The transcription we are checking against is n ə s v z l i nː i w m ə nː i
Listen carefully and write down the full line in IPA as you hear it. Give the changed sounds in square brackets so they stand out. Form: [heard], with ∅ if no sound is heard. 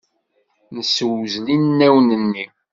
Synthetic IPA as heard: n ə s [w] z l i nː [æ] w [n] ə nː i